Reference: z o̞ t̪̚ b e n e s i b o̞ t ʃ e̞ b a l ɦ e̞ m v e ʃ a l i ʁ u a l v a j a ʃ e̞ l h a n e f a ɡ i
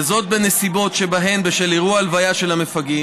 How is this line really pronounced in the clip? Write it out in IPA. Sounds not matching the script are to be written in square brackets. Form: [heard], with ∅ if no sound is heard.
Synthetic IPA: z o̞ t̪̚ b e n e s i b o̞ t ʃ e̞ b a [∅] ɦ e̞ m [b] e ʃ [e] l i ʁ u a l v a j a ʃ e̞ l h a [m] e f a ɡ i